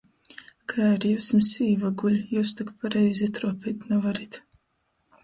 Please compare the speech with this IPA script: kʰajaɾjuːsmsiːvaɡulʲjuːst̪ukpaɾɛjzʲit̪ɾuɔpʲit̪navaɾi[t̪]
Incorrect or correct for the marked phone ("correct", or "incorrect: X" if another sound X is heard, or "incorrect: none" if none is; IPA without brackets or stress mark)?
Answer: correct